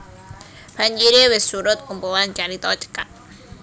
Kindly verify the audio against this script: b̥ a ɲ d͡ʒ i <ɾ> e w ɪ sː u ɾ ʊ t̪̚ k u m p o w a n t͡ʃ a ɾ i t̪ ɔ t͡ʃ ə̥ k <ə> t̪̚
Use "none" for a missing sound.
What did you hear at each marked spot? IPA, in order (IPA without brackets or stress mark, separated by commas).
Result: ɾ, a